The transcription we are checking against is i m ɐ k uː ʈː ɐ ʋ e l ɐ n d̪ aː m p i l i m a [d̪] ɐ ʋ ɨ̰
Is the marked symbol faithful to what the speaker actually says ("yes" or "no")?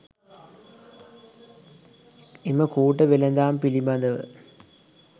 yes